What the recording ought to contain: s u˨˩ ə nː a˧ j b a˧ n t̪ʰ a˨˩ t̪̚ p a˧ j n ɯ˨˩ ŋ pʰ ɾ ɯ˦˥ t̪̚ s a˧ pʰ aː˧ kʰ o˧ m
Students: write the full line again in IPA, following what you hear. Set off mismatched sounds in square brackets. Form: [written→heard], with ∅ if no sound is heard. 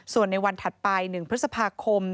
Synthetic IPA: s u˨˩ ə nː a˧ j [b→w] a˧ n t̪ʰ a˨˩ t̪̚ p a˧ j n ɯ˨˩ ŋ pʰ ɾ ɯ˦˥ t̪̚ s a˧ pʰ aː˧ kʰ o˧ m

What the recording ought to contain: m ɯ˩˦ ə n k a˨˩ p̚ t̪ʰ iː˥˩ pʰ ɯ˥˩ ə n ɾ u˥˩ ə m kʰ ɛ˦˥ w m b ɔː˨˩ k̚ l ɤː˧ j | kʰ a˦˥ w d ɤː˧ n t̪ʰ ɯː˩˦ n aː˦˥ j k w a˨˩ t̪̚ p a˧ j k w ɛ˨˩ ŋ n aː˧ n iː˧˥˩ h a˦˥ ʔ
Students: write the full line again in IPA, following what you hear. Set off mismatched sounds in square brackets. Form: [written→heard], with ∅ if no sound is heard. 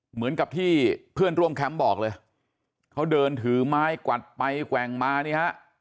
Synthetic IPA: m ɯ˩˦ ə n k a˨˩ p̚ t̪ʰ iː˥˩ pʰ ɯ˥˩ ə n ɾ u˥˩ ə m kʰ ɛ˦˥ [w→∅] m b ɔː˨˩ k̚ l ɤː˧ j | kʰ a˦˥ w d ɤː˧ n t̪ʰ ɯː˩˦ [n→m] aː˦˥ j k w a˨˩ t̪̚ p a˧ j k w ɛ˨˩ ŋ [n→m] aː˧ n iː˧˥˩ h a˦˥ ʔ

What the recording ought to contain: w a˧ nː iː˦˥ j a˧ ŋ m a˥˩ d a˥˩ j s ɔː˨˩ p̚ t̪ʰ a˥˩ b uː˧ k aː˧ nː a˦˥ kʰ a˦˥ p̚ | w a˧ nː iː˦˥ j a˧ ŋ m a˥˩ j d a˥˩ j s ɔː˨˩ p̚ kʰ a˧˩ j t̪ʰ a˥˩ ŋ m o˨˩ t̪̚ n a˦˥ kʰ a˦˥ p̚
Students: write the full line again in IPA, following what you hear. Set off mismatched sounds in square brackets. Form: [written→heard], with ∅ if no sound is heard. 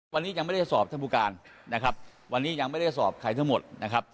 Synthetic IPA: w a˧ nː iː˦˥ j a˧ ŋ m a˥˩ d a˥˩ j s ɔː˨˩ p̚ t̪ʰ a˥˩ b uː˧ k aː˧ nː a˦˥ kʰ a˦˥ p̚ | w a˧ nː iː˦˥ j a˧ ŋ m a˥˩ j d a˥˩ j s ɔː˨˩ p̚ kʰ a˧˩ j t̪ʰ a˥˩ ŋ m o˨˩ t̪̚ n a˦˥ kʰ a˦˥ p̚

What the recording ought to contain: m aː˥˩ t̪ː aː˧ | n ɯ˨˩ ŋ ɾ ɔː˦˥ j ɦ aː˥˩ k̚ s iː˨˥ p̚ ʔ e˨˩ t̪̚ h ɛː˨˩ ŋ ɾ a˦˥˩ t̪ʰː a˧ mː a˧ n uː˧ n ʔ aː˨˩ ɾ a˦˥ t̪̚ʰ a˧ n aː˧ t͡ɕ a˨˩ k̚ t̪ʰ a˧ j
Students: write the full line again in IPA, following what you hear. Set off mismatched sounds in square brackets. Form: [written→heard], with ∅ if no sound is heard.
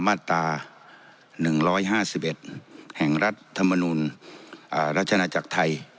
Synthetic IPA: m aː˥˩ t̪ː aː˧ | n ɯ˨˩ ŋ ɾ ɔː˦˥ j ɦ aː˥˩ [k̚→∅] s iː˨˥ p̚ ʔ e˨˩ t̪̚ h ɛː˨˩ ŋ ɾ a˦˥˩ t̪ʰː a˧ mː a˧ n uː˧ n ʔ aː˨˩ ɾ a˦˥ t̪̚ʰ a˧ n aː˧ t͡ɕ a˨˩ k̚ t̪ʰ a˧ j

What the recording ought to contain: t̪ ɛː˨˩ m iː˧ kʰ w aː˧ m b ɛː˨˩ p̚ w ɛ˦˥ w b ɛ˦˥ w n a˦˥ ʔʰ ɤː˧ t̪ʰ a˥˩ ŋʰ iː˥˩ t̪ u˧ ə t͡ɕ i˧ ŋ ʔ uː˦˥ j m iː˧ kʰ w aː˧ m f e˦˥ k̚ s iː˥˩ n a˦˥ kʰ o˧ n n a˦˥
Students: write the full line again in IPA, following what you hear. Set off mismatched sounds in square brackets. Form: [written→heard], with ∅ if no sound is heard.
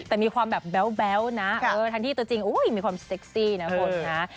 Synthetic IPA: t̪ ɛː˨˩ m iː˧ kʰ w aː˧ m b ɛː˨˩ p̚ [w→b] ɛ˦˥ w b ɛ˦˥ w n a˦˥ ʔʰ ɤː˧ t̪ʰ [a˥˩→a˧] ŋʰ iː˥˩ t̪ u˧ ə t͡ɕ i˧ ŋ ʔ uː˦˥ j m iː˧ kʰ w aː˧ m [f→s] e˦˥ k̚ s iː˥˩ n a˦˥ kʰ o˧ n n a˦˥

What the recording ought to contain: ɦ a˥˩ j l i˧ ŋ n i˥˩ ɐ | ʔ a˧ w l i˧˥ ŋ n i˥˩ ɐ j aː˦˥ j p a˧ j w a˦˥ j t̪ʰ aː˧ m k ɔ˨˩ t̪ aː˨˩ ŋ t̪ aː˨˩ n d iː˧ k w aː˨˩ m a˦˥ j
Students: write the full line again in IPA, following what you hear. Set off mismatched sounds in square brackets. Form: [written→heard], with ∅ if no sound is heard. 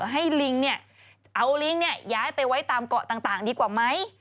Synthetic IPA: ɦ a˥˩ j l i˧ ŋ n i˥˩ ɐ | ʔ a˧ w l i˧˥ ŋ n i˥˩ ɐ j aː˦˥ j p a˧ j w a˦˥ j [t̪ʰ→t̪] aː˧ m k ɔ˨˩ t̪ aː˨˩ ŋ t̪ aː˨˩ [n→ŋ] d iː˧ k w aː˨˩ m a˦˥ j

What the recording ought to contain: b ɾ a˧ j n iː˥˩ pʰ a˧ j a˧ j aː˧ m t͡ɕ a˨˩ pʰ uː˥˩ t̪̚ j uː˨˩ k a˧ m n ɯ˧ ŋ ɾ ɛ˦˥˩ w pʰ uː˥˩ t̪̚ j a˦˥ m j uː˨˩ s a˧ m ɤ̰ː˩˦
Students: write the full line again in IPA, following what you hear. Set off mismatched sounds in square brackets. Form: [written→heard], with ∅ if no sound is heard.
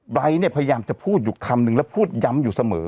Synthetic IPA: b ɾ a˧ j n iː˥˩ pʰ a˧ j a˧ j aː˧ m t͡ɕ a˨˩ pʰ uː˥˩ t̪̚ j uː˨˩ [k→kʰ] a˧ m n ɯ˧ ŋ [ɾ→l] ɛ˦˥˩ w pʰ uː˥˩ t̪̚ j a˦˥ m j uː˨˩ s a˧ m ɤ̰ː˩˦

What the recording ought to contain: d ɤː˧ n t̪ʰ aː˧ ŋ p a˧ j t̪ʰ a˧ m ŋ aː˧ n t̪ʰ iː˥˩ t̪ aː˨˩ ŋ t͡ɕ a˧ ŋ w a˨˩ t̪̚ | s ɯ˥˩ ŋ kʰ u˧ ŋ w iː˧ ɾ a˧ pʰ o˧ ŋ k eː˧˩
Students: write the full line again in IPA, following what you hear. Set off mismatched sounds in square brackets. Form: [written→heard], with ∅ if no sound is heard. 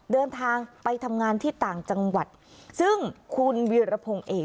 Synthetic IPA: d ɤː˧ n t̪ʰ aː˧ ŋ p a˧ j t̪ʰ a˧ m ŋ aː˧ n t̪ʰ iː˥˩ t̪ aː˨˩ ŋ t͡ɕ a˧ ŋ w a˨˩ t̪̚ | s ɯ˥˩ ŋ kʰ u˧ [ŋ→n] w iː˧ ɾ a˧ pʰ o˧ ŋ [k→ʔ] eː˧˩

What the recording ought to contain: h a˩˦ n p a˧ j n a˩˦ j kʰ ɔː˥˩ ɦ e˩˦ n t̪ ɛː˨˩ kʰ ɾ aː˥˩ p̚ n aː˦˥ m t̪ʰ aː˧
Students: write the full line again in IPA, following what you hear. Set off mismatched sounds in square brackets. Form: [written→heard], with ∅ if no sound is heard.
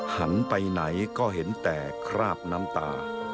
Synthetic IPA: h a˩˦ n p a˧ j n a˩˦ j [kʰ→k] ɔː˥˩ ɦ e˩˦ n t̪ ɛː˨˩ kʰ ɾ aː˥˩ p̚ n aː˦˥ m [t̪ʰ→t̪] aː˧

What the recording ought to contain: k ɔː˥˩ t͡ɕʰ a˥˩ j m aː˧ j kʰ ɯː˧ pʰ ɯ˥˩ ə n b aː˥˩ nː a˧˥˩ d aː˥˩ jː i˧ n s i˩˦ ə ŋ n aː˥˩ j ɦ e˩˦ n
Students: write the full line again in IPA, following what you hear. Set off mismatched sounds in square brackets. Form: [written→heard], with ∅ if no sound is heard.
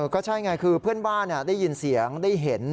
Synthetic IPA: k ɔː˥˩ t͡ɕʰ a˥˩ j [m→ŋ] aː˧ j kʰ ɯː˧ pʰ ɯ˥˩ ə n b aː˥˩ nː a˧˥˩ d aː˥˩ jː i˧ n s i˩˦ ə ŋ [n→d] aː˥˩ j ɦ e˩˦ n

